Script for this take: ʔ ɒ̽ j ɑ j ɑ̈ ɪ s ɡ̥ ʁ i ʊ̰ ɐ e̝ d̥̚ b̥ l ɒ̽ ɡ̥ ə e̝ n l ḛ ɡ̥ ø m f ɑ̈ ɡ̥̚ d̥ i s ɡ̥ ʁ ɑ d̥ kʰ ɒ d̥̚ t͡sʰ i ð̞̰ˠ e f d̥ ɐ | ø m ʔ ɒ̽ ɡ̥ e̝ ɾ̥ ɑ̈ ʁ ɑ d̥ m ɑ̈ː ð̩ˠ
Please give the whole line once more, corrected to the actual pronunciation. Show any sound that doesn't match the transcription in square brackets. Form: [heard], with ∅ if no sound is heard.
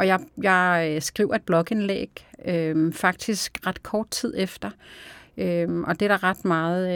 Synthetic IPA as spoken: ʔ ɒ̽ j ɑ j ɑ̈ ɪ s ɡ̥ ʁ i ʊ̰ ɐ e̝ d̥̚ b̥ l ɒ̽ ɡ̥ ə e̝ n l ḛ ɡ̥ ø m f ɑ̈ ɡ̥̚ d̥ i s ɡ̥ ʁ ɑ d̥ kʰ [ɒː] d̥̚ t͡sʰ i ð̞̰ˠ e f d̥ ɐ | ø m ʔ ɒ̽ [d̥] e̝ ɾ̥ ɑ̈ ʁ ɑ d̥ m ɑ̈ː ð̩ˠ